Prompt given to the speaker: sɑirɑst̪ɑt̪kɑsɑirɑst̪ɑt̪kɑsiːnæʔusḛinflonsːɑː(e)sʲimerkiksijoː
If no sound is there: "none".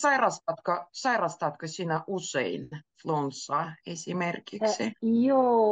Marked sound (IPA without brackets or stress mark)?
e